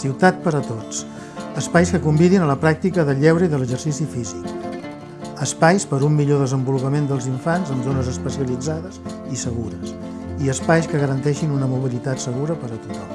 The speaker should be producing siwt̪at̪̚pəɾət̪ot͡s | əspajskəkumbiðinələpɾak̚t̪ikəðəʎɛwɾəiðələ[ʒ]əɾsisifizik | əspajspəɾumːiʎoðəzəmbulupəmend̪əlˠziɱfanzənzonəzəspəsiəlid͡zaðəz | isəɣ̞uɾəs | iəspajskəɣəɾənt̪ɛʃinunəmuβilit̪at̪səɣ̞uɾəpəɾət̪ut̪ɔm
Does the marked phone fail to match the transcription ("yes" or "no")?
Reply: no